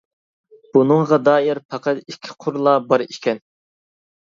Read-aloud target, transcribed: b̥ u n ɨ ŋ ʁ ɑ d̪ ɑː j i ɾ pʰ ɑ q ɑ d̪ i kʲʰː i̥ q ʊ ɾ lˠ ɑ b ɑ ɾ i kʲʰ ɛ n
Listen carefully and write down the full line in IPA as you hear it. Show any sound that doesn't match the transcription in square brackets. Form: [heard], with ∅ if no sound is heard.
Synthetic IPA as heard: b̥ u n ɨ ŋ ʁ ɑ d̪ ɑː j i ɾ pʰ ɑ q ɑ [t̪] i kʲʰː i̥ [qʰ] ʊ ɾ lˠ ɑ b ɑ ɾ i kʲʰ ɛ n